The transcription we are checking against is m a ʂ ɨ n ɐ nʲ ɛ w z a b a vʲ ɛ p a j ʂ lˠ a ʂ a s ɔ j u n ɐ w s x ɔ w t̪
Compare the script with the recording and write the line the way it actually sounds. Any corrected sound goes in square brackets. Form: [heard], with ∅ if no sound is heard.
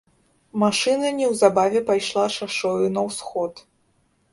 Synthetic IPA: m a ʂ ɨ n ɐ nʲ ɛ w z a b a vʲ ɛ p a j ʂ lˠ a ʂ a [ʂ] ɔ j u n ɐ w s x ɔ [∅] t̪